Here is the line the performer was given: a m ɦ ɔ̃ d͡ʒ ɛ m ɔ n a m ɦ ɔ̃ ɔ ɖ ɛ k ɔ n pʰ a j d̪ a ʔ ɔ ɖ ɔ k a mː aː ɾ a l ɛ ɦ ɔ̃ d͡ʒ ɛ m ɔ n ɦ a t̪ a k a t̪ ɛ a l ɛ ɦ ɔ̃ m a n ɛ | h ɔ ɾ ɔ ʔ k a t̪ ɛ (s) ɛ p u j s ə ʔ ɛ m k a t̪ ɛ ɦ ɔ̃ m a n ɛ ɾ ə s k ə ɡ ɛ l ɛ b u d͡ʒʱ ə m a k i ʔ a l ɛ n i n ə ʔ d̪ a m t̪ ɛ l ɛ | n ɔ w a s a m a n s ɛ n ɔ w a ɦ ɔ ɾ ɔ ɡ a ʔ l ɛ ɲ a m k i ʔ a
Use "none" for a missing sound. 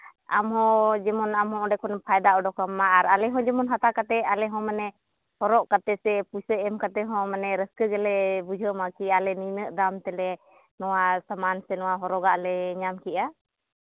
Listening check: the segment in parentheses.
s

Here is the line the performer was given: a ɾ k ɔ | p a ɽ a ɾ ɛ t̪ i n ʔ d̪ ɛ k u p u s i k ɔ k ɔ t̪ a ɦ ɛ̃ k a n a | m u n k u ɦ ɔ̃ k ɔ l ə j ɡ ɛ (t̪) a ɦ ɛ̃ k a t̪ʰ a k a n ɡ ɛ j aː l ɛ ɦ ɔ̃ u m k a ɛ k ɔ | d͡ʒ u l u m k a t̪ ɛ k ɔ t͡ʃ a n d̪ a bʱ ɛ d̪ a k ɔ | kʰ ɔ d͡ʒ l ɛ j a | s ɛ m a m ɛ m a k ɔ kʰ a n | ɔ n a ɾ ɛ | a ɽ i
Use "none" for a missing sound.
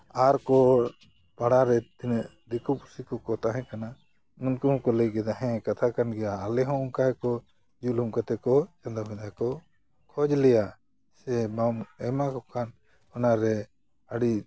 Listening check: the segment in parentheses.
d̪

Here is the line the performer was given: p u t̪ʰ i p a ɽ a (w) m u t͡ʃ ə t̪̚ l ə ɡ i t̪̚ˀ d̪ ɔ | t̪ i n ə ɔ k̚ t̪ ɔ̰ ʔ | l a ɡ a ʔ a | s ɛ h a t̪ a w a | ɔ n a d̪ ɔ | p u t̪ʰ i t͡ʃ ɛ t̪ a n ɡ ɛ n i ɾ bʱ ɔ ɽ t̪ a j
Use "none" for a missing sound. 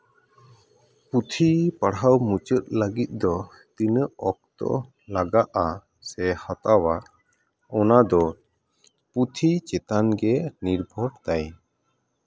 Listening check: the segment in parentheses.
w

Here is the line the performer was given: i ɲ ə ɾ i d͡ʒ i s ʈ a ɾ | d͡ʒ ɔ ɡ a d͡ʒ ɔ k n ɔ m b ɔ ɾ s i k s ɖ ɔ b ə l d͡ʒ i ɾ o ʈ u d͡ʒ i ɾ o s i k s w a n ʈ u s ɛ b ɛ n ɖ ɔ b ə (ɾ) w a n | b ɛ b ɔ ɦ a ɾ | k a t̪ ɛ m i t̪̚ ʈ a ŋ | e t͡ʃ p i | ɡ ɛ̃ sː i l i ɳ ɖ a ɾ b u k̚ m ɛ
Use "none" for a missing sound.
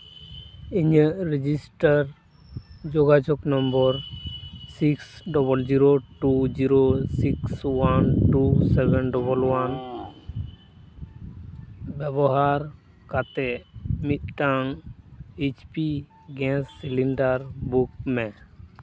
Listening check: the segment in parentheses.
l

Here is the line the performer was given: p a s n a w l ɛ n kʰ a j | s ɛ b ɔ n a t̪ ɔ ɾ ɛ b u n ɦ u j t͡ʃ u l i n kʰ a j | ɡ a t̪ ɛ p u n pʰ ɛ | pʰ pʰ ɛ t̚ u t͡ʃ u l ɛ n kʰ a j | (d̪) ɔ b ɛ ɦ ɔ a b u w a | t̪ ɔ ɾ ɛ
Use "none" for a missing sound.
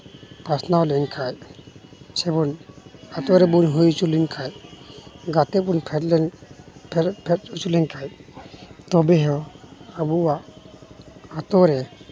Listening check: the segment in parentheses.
t̪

